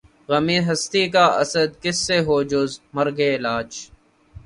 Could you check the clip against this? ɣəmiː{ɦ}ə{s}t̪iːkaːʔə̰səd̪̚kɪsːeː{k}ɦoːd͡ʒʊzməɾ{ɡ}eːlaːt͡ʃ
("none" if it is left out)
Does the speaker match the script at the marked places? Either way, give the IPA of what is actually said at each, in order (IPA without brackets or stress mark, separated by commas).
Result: ɦ, s, none, ɡ